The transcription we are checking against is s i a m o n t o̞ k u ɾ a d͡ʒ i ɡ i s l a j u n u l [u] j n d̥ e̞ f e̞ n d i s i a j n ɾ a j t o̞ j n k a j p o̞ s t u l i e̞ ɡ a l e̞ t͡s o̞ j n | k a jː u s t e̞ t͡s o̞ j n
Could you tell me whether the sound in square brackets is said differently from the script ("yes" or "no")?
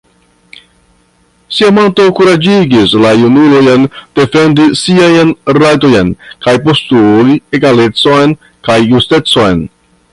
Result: yes